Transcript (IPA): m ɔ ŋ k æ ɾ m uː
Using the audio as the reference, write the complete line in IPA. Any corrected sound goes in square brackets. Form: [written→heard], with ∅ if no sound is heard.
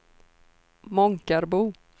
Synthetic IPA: m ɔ ŋ k [æ→a] ɾ [m→b] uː